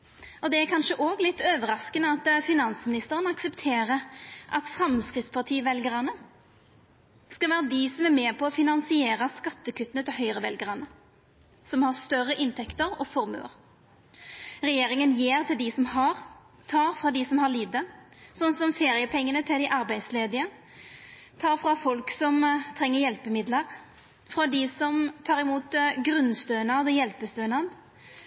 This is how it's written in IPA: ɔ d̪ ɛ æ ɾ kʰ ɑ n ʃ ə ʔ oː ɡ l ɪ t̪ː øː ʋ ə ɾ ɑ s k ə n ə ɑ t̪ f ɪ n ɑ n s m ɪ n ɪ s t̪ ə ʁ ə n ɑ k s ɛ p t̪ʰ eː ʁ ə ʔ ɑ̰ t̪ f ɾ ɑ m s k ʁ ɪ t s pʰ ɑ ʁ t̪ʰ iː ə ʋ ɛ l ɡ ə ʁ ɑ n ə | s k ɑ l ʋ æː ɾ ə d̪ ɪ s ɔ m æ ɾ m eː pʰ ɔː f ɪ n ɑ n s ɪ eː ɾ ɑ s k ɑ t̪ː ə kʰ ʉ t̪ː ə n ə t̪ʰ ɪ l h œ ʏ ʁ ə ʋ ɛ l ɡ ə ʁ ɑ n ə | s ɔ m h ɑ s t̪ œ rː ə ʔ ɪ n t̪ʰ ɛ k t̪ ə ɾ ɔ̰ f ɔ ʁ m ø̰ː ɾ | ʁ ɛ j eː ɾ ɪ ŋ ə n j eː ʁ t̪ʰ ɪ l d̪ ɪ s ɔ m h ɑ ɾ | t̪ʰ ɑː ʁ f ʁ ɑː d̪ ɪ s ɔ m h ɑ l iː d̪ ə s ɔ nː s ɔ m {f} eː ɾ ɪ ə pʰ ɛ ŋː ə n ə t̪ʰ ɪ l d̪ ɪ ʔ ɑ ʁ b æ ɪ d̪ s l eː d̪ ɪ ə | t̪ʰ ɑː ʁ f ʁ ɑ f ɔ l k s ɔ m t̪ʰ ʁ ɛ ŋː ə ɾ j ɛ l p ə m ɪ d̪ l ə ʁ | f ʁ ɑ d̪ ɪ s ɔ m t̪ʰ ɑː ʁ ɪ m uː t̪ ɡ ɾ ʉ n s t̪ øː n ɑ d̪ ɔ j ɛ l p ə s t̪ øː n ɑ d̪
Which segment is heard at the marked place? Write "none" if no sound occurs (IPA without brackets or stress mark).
f